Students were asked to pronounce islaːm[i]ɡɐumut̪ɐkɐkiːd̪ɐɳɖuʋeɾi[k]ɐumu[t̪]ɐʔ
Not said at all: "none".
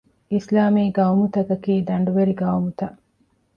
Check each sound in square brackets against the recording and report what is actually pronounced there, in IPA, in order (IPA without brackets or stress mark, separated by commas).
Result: iː, ɡ, t̪